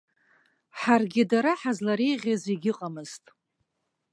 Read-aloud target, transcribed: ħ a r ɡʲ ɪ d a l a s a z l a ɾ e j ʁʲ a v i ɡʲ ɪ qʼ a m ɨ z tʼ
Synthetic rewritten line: ħ a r ɡʲ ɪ d a ɾ a ħ a z l a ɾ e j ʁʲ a z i ɡʲ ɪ qʼ a m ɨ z tʼ